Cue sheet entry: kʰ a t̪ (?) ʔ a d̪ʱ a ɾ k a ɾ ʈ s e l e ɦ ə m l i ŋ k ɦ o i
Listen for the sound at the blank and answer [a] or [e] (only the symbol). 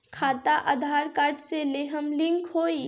a